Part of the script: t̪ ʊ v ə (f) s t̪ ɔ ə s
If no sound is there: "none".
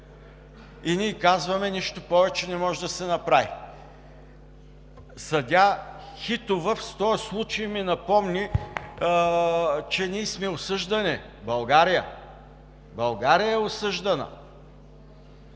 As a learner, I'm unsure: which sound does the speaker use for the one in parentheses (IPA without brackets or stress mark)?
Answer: f